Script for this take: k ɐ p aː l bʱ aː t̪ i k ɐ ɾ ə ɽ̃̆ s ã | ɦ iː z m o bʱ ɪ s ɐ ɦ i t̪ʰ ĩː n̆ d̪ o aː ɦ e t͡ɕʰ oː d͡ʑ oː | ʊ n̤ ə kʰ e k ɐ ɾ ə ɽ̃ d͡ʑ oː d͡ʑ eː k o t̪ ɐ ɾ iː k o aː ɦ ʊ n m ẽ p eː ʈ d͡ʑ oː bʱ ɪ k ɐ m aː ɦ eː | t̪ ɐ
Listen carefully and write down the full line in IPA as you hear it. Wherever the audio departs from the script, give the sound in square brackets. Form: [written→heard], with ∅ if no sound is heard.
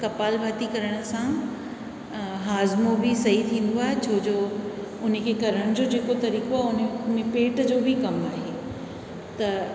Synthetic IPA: k ɐ p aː l bʱ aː t̪ i k ɐ ɾ ə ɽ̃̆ s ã | ɦ [iː→aː] z m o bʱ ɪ s ɐ ɦ i t̪ʰ ĩː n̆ d̪ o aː ɦ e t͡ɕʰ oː d͡ʑ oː | ʊ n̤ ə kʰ e k ɐ ɾ ə ɽ̃ d͡ʑ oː d͡ʑ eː k o t̪ ɐ ɾ iː k o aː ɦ ʊ n m ẽ p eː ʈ d͡ʑ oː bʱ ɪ k ɐ m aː ɦ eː | t̪ ɐ